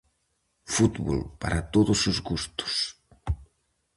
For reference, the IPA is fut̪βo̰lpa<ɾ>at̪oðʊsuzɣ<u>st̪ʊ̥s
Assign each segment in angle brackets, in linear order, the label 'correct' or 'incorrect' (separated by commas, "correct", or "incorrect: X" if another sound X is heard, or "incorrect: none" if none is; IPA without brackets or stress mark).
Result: correct, correct